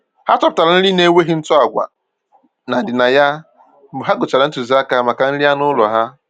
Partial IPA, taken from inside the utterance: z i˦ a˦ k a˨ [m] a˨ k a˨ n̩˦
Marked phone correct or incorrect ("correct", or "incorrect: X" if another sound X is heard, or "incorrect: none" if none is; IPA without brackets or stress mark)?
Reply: correct